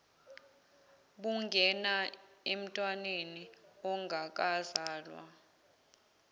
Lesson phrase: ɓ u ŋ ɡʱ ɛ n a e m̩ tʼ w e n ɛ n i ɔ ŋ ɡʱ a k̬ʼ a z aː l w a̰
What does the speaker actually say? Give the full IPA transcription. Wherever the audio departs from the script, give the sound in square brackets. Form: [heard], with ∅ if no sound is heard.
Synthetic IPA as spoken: ɓ u ŋ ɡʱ ɛ n a e m̩ tʼ w [a] n [e] n i ɔ ŋ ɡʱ a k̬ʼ a z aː l w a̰